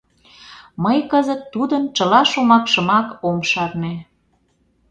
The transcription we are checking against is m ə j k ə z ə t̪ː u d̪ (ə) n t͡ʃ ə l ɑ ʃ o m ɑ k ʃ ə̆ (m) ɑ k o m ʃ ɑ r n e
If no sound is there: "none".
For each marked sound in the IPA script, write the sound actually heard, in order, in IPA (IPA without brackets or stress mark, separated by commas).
ə, m